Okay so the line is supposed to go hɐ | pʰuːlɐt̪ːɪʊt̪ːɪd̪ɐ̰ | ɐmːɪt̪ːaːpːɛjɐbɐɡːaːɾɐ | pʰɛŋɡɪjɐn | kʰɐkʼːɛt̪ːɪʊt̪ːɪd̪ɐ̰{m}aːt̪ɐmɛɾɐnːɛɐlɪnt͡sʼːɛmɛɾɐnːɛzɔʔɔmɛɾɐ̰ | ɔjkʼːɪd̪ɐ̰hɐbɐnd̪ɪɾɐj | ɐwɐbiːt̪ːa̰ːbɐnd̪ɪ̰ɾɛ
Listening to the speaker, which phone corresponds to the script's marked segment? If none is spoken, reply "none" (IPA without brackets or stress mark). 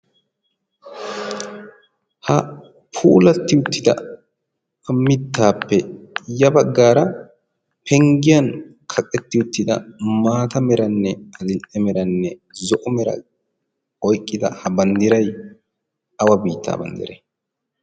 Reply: m